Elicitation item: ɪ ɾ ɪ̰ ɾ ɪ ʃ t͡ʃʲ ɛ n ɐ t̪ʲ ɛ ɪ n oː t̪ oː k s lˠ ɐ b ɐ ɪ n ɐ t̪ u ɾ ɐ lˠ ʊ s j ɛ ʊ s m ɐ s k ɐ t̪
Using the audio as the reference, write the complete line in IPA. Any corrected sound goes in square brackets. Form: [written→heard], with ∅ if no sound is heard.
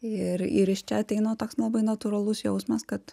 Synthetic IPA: ɪ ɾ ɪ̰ ɾ ɪ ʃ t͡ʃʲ ɛ [n→∅] ɐ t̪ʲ ɛ ɪ n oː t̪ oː k s lˠ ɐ b ɐ ɪ n ɐ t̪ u ɾ ɐ lˠ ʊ s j ɛ ʊ s m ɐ s k ɐ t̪